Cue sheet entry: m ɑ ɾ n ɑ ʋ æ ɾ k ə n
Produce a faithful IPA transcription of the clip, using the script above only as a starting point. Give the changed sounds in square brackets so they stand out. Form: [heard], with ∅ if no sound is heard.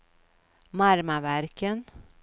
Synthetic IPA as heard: m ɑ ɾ [m] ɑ ʋ æ ɾ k ə n